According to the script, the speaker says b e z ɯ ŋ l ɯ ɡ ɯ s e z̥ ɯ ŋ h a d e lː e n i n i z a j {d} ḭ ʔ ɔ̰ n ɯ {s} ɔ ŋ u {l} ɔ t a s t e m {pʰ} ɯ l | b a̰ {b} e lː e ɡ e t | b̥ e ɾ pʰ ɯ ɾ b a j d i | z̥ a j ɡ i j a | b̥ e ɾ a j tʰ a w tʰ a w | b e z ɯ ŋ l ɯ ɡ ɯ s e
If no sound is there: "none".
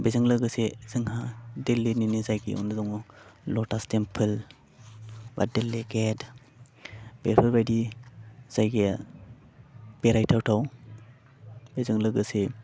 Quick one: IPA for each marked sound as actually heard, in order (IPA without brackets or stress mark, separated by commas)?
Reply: ɡ, z, l, pʰ, d